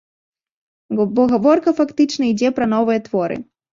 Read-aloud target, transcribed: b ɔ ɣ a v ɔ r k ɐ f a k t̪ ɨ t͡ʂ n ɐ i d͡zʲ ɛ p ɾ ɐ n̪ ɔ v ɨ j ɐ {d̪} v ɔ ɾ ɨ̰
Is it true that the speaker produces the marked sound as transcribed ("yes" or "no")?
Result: no